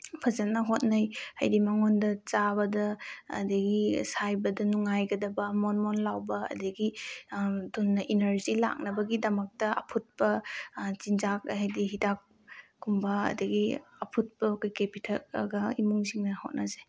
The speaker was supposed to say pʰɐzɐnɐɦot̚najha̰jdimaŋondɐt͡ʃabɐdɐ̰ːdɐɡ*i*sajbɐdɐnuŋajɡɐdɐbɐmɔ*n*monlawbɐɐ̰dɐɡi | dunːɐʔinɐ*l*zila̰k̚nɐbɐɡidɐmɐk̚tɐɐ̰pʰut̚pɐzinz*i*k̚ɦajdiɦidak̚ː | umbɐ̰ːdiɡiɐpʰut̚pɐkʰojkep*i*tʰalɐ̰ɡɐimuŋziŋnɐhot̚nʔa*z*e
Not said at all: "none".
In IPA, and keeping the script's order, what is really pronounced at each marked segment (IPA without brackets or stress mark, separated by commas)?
i, n, ɾ, a, i, z